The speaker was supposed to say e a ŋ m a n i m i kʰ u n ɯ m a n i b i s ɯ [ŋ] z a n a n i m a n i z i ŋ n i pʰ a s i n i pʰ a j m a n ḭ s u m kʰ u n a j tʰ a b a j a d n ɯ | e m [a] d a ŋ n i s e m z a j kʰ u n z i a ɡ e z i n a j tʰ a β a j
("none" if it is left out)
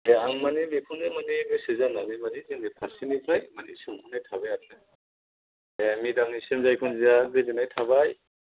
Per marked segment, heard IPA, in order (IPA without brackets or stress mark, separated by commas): none, i